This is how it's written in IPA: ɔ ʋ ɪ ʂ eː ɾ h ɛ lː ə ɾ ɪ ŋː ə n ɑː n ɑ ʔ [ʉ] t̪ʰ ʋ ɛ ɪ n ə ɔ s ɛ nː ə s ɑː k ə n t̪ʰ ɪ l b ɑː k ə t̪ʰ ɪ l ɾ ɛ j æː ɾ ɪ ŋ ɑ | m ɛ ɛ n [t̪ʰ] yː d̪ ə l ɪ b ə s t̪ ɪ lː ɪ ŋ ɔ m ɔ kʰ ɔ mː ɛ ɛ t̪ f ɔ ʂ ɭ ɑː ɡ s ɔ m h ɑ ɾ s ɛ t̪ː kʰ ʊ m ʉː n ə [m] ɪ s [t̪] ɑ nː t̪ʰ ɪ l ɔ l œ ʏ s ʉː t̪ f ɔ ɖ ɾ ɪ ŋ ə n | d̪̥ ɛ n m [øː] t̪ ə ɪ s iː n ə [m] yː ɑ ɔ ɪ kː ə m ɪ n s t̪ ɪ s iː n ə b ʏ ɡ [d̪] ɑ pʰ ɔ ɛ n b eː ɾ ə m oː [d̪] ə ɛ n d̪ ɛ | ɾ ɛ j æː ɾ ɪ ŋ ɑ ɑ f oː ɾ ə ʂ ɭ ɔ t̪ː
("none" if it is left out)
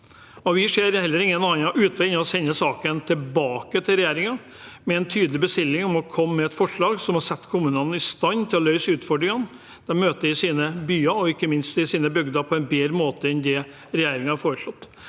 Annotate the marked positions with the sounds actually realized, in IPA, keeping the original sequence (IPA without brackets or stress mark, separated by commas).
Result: ʉː, t̪ʰ, n, t̪, øː, b, d̪, t̪